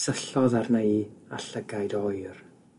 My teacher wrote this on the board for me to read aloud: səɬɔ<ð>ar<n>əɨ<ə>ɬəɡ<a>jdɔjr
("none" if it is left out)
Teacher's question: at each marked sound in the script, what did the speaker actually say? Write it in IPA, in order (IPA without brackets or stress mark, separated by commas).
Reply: ð, n, a, a